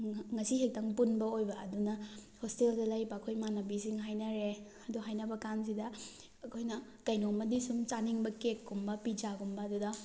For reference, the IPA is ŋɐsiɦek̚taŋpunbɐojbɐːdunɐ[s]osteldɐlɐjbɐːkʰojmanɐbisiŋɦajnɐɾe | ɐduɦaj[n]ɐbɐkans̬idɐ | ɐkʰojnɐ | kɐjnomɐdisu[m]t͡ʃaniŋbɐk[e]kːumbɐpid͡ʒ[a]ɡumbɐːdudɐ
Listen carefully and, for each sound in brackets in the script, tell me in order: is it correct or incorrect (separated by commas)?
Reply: incorrect, correct, correct, correct, correct